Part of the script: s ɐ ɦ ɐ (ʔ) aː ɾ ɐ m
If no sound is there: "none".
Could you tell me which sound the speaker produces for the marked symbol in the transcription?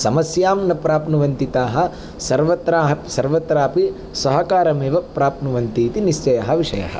k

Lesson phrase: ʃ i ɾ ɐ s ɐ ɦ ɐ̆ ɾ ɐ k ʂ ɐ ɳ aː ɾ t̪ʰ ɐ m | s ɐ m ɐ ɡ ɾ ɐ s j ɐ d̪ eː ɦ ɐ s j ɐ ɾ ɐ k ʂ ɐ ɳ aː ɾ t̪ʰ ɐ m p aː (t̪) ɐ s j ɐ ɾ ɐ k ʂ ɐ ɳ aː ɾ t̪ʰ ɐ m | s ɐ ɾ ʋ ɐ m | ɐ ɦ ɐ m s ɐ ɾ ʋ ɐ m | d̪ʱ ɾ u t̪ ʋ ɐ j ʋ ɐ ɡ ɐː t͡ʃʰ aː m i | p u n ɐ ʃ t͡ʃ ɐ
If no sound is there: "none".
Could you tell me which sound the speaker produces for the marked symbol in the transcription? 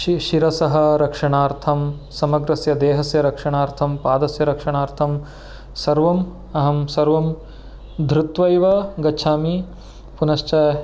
d̪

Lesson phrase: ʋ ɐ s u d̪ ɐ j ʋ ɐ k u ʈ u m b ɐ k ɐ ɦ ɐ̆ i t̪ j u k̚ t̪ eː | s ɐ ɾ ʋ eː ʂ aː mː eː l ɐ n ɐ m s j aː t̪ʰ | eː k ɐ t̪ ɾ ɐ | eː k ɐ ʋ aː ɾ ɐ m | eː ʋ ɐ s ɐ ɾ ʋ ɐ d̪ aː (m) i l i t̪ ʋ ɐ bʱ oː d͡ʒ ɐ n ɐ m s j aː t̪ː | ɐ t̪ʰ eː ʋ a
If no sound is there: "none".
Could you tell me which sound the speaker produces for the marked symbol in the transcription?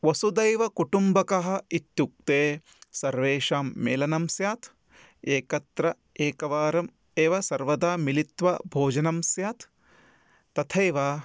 m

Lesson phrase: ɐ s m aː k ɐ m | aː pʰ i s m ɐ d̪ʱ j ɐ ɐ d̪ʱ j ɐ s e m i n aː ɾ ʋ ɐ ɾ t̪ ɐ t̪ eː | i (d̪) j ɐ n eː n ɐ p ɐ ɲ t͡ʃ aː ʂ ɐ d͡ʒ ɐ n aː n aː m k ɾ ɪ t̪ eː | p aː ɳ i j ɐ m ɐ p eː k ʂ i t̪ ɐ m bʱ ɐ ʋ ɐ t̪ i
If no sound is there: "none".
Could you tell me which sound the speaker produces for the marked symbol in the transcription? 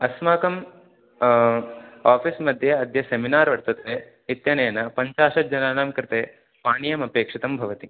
t̪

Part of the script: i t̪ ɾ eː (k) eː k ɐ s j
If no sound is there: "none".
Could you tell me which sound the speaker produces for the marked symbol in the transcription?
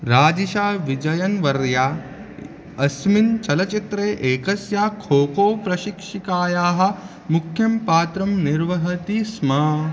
ʔ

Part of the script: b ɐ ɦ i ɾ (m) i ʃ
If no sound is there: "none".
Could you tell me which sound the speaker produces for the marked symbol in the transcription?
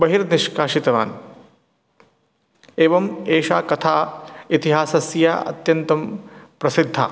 n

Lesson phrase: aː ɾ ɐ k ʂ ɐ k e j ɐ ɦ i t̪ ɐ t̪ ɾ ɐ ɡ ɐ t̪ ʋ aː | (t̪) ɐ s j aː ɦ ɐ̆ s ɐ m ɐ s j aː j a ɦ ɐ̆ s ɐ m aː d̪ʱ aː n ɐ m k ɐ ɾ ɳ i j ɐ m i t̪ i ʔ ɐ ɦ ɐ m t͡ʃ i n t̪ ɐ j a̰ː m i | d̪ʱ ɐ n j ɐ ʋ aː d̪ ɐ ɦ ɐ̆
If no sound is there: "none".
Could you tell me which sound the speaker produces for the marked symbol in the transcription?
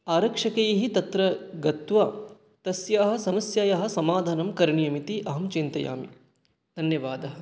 t̪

